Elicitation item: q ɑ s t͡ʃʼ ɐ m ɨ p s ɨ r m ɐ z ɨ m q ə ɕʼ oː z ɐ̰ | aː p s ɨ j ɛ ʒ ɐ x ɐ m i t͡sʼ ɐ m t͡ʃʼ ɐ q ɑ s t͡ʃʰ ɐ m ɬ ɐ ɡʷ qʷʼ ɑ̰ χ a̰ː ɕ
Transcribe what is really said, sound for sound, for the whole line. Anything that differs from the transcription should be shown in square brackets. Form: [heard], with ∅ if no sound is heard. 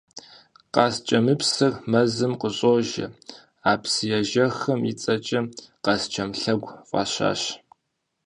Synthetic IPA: q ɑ s t͡ʃʼ ɐ m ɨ p s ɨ r m ɐ z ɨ m q ə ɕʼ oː [ʒ] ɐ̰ | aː p s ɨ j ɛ ʒ ɐ x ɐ m i t͡sʼ ɐ [∅] t͡ʃʼ ɐ q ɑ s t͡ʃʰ ɐ m ɬ ɐ ɡʷ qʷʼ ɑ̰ [ɕ] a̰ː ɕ